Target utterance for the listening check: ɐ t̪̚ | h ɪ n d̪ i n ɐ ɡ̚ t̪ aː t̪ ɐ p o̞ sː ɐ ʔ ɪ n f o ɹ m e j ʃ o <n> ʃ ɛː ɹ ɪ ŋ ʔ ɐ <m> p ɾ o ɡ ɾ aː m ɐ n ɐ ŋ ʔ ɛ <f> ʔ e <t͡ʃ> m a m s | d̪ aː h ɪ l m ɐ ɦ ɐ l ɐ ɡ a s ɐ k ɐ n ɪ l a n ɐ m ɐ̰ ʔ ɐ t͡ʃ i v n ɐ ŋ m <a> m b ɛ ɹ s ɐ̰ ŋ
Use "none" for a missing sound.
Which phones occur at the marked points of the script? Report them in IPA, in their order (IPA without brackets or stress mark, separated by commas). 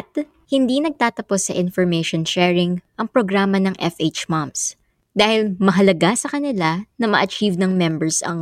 n, ŋ, f, t͡ʃ, ɛ